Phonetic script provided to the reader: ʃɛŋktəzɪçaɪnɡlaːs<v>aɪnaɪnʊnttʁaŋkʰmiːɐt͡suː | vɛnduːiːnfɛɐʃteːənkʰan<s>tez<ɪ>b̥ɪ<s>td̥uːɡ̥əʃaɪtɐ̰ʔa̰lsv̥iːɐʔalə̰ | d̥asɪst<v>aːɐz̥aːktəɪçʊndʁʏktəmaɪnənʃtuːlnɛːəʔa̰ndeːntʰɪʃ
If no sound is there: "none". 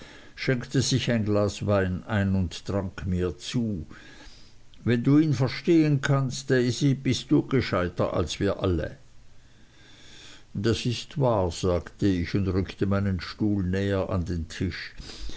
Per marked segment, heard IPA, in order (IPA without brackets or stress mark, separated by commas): v, s, i, s, v